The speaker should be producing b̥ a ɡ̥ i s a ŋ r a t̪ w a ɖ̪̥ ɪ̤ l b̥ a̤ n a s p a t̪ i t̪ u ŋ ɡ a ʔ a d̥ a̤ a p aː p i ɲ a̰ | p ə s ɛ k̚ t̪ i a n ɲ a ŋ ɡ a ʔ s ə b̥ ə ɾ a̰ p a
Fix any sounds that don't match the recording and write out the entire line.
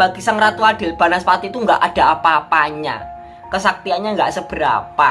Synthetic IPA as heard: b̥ a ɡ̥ i s a ŋ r a t̪ u a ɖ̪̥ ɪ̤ l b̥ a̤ n a s p a t̪ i t̪ u ŋ ɡ a ʔ a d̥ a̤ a p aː p a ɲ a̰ | k ə s a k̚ t̪ i a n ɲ a ŋ ɡ a ʔ s ə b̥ ə ɾ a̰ p a